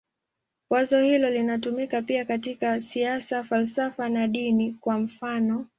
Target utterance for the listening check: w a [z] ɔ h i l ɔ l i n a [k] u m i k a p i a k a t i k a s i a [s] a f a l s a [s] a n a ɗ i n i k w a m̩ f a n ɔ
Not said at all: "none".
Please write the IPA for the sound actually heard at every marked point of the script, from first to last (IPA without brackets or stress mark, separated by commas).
z, t, s, f